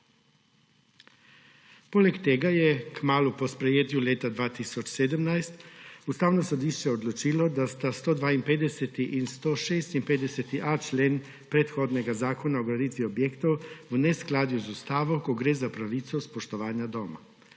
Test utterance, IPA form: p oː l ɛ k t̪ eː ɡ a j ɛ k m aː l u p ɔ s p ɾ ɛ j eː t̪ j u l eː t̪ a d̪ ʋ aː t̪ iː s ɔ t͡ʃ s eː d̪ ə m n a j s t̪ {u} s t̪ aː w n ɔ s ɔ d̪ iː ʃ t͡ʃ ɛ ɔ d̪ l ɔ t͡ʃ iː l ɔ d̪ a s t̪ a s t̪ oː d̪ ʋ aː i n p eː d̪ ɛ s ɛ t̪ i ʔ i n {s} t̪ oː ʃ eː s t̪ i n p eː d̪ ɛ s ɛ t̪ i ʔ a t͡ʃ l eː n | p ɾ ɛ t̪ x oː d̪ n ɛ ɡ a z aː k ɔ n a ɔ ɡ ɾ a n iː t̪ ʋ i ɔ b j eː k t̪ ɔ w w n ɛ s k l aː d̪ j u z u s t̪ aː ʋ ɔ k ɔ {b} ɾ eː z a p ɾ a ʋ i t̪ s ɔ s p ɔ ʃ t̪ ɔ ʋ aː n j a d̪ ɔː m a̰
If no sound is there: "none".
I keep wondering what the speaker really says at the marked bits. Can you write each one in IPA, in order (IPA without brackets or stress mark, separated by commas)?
u, s, ɡ